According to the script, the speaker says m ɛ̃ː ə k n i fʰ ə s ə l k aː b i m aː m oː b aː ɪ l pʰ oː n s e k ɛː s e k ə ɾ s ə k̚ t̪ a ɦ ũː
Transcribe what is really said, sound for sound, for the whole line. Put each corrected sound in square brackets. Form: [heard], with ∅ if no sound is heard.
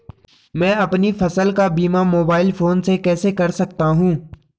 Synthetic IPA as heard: m ɛ̃ː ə [p] n i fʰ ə s ə l k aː b [iː] m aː m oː b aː ɪ l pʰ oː n s e k ɛː s e k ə ɾ s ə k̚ t̪ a ɦ ũː